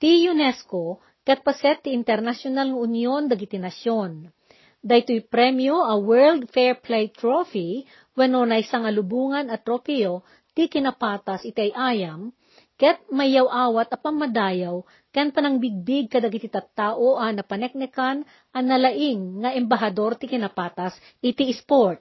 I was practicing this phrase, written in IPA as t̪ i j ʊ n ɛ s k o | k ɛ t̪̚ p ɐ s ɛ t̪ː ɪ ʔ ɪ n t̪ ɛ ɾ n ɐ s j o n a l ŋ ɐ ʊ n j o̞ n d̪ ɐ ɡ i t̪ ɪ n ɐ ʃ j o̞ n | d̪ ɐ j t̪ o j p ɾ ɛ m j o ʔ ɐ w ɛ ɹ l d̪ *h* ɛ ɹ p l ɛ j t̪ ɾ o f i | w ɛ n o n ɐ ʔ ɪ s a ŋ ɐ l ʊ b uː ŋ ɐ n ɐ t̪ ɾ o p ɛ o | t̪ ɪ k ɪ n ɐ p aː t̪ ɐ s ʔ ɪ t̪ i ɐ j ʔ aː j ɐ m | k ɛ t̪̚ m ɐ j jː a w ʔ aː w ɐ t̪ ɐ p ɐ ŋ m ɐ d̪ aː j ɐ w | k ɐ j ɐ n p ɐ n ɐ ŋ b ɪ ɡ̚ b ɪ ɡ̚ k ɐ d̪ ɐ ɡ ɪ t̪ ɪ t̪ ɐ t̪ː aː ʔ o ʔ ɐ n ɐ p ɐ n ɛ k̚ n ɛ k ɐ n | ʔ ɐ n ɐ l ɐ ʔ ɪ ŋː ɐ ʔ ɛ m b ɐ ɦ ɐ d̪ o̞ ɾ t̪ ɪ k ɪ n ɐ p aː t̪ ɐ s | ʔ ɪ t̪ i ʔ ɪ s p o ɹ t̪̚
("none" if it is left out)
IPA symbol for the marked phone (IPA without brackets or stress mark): f